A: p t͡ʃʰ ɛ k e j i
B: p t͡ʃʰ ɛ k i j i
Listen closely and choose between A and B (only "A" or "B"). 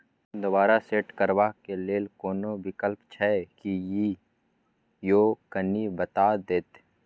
B